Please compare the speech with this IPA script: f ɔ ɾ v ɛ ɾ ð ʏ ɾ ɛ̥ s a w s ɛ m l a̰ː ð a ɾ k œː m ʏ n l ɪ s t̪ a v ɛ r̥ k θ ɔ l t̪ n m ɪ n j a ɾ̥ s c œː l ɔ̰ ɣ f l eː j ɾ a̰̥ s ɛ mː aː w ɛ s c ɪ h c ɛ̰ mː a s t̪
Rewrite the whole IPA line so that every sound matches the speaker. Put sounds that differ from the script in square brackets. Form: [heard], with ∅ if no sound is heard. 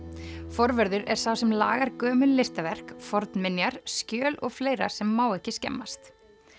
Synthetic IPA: f ɔ ɾ v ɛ ɾ ð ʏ ɾ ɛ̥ s a w s ɛ m l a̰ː [ɣ] a ɾ k œː m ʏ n l ɪ s t̪ a v ɛ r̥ k [f] ɔ [ɾ] t̪ n m ɪ n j a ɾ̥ s c œː l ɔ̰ ɣ f l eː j ɾ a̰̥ s ɛ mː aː w ɛ [h] c ɪ [s] c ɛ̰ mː a s t̪